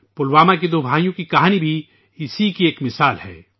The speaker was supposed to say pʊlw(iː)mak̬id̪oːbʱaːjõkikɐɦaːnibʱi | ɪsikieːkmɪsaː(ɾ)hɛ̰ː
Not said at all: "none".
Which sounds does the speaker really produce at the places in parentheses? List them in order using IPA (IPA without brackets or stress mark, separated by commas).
aː, l